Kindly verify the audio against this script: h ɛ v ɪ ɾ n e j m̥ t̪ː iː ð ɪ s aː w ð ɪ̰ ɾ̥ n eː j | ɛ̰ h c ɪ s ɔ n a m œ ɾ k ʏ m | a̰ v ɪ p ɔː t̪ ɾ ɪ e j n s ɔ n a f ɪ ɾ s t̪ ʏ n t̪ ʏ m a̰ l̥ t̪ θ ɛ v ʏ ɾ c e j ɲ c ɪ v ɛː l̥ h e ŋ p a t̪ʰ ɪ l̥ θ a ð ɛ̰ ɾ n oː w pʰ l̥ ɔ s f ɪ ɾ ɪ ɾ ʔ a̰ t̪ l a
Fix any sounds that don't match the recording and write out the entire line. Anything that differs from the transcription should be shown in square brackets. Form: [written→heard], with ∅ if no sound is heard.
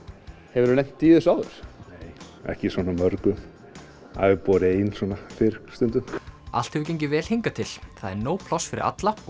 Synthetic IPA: h ɛ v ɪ ɾ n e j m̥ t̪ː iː ð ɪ s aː w ð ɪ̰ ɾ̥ n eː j | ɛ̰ h c ɪ s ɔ n a m œ ɾ k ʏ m | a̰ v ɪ p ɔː [t̪→∅] ɾ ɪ e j n s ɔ n a f ɪ ɾ s t̪ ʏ n t̪ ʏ m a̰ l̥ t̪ [θ→h] ɛ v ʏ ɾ c e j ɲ c ɪ v ɛː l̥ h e ŋ [p→k] a t̪ʰ ɪ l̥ θ a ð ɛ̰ ɾ n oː w pʰ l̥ ɔ s f ɪ ɾ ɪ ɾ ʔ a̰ t̪ l a